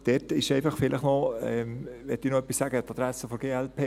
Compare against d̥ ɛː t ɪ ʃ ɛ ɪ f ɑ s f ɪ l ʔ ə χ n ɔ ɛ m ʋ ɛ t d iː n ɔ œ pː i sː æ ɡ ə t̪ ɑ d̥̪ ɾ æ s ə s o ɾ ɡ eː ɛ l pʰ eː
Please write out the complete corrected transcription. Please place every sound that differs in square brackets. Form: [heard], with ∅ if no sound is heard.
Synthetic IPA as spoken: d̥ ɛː t ɪ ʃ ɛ ɪ f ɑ [χ] f ɪ l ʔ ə χ n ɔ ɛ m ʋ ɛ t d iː n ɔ œ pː i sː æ ɡ ə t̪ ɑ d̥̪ ɾ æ s ə [f] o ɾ ɡ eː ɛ l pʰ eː